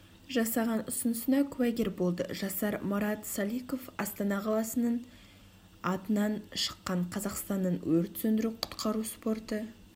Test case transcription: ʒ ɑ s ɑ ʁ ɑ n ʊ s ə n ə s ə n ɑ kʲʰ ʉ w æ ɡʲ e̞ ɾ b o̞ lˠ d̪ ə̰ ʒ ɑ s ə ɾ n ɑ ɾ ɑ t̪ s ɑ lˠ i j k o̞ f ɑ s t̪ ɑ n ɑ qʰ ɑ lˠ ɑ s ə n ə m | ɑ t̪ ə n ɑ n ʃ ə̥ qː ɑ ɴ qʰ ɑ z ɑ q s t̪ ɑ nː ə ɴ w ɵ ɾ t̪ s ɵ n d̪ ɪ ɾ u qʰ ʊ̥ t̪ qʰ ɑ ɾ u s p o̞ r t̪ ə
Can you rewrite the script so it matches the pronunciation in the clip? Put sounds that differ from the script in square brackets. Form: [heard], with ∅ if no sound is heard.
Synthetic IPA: ʒ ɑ s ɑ ʁ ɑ n ʊ s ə n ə s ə n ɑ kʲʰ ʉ w æ ɡʲ e̞ ɾ b o̞ lˠ d̪ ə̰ ʒ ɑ s [ɑ] ɾ [m] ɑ ɾ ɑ t̪ s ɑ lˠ i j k o̞ f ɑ s t̪ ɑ n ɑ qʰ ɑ lˠ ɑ s ə n ə [ɴ] | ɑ t̪ ə n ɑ n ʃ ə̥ qː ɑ ɴ qʰ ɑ z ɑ q s t̪ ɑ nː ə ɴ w ɵ ɾ t̪ s ɵ n d̪ ɪ ɾ u qʰ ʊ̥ t̪ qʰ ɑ ɾ u s p o̞ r t̪ ə